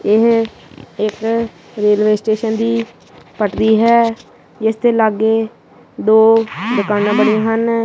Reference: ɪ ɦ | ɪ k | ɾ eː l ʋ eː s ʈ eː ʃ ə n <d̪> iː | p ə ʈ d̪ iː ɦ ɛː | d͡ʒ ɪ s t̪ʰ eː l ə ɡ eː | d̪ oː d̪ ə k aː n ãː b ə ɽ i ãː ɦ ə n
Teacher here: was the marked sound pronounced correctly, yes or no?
yes